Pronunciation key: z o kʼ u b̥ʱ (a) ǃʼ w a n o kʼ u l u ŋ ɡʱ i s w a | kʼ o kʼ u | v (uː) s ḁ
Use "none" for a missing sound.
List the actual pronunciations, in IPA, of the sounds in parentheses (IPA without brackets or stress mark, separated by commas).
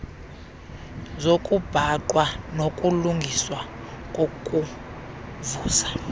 a, uː